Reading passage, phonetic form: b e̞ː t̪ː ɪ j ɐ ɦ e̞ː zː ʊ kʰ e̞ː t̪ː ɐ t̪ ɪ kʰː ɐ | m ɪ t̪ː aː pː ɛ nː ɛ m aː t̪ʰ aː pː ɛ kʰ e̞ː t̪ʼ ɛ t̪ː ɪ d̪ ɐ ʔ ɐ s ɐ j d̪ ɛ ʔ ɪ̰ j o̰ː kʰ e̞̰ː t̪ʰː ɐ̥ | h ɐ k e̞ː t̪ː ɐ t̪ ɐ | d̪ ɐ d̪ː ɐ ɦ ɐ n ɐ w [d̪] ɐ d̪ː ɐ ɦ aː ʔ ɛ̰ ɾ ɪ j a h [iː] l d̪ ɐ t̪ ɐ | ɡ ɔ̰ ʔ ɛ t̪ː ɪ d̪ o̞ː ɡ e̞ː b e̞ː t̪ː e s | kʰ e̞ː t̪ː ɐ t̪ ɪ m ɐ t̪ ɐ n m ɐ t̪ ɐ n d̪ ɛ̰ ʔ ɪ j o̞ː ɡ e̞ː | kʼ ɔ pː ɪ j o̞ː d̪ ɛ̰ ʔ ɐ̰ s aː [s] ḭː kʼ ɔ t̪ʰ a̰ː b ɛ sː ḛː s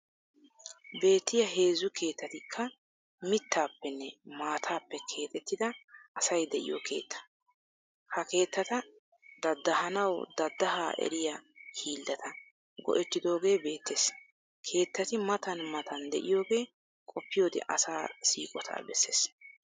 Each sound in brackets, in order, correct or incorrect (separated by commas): correct, correct, correct